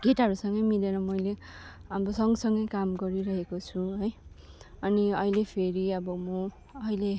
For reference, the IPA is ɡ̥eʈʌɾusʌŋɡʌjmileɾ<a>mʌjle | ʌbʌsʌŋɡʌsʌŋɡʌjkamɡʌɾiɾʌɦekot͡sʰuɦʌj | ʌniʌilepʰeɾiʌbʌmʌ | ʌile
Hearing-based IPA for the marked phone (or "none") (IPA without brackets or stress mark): ʌ